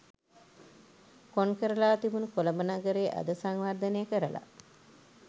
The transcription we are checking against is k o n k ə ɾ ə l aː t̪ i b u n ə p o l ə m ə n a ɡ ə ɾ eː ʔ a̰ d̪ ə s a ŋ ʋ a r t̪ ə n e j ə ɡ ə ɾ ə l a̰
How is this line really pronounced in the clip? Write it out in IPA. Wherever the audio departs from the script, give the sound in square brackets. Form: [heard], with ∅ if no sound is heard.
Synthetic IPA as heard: k o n k ə ɾ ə l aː t̪ i b u n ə [k] o l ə m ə n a ɡ ə ɾ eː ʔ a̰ d̪ ə s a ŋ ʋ a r [d̪] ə n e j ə [k] ə ɾ ə l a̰

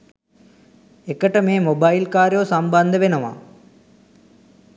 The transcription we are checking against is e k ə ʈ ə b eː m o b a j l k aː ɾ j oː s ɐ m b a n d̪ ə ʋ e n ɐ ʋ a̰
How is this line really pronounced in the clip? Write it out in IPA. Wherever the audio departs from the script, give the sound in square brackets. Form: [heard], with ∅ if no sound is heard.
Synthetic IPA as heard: e k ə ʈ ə [m] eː m o b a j l k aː ɾ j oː s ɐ m b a n d̪ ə ʋ e n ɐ ʋ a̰

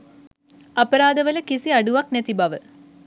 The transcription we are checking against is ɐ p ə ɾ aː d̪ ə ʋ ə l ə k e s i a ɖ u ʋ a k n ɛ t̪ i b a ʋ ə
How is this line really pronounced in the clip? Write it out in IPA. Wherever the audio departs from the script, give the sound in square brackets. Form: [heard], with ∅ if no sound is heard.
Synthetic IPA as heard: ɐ p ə ɾ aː d̪ ə ʋ ə l ə k [i] s i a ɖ u ʋ a k n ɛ t̪ i b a ʋ ə

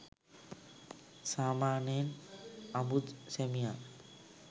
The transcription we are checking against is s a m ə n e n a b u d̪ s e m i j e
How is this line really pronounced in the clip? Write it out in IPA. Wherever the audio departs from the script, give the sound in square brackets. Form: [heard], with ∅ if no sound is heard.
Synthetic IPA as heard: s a m [a] n e n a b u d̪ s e m i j [a]

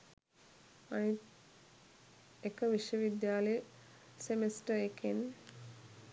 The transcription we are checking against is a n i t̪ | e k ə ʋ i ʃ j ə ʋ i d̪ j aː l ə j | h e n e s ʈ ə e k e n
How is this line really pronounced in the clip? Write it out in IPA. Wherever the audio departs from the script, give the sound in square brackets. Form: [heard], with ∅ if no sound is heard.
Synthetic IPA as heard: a n i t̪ | e k ə ʋ i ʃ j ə ʋ i d̪ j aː l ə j | [s] e [m] e s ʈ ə e k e n

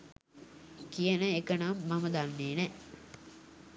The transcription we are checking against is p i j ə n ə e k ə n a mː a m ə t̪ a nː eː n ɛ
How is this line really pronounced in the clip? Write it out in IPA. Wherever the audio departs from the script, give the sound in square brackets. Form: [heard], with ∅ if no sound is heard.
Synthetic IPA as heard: [k] i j ə n ə e k ə n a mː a m ə [d̪] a nː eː n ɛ

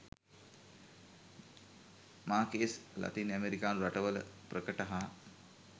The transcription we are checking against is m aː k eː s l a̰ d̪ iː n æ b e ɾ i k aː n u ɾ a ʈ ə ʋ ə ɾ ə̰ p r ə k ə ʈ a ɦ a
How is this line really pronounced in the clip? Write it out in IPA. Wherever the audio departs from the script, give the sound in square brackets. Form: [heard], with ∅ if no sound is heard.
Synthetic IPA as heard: m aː k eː s l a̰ [t̪] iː n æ [m] e ɾ i k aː n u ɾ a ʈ ə ʋ ə [l] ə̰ p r ə k ə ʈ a ɦ a

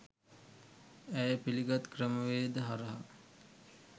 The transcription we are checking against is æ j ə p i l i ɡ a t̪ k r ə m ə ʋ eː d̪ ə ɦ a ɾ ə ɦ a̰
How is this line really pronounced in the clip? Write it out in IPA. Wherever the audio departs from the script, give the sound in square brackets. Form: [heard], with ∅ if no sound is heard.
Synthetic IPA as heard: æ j ə p i l i ɡ a t̪ k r ə m ə ʋ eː d̪ ə ɦ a ɾ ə ɦ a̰

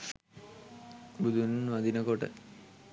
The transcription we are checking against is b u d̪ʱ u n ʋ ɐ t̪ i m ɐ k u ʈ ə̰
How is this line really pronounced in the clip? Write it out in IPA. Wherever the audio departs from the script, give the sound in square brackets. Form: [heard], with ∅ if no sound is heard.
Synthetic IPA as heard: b u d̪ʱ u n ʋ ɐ [d̪] i [n] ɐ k [o] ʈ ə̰

